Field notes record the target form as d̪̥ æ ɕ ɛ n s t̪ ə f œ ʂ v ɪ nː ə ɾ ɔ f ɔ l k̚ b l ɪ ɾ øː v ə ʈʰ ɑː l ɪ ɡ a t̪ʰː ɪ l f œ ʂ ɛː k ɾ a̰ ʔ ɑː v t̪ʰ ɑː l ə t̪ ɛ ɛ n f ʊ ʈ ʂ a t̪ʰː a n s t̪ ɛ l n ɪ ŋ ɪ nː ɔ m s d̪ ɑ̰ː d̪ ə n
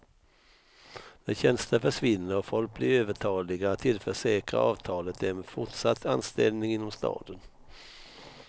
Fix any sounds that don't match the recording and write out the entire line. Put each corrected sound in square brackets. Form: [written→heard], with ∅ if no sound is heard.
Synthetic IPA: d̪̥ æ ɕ ɛ n s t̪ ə f œ ʂ v ɪ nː ə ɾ ɔ f ɔ l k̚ b l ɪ ɾ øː v ə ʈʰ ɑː l ɪ ɡ a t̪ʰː ɪ l f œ ʂ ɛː k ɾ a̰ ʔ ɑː v t̪ʰ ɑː l ə t̪ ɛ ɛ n f ʊ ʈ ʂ a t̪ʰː a n s t̪ ɛ l n ɪ ŋ ɪ nː ɔ m s [d̪→t̪] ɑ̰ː d̪ ə n